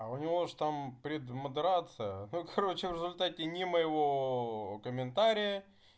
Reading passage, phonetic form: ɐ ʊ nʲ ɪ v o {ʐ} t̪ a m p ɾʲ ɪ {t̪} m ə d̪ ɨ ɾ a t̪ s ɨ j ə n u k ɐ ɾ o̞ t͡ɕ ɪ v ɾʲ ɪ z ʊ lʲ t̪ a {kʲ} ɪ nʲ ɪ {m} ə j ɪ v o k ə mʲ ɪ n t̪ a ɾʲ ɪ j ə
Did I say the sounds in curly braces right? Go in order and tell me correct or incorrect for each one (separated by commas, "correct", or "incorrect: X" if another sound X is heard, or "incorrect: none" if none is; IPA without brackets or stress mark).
correct, incorrect: d̪, incorrect: tʲ, correct